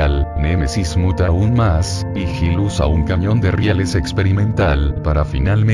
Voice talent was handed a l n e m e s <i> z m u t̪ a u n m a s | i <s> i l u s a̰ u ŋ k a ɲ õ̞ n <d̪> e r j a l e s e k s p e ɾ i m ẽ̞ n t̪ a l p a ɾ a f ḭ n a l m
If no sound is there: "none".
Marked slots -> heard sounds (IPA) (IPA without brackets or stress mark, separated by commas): i, x, d̪